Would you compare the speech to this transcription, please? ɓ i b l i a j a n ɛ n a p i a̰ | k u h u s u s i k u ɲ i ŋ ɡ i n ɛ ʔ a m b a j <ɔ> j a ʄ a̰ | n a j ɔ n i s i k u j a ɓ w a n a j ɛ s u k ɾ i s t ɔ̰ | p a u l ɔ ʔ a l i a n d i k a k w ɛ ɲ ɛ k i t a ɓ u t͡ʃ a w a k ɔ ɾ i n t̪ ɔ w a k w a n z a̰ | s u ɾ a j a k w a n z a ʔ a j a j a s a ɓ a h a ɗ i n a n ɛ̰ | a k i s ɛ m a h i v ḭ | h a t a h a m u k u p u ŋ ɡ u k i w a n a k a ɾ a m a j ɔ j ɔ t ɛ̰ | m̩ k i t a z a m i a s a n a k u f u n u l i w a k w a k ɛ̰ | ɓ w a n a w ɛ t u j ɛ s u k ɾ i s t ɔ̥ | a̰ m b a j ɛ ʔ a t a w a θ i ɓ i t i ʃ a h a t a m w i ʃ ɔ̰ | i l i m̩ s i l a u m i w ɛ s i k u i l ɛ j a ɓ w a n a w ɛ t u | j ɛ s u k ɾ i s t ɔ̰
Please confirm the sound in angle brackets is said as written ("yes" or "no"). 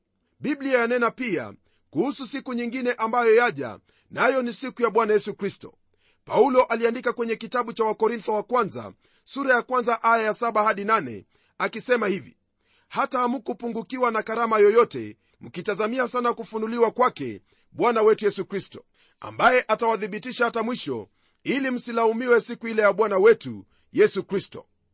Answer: yes